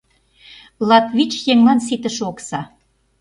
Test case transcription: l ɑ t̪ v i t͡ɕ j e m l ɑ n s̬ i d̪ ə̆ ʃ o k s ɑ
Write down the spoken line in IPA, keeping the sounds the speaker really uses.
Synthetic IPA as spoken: l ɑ t̪ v i t͡ɕ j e ŋ l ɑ n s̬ i t̪ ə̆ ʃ o k s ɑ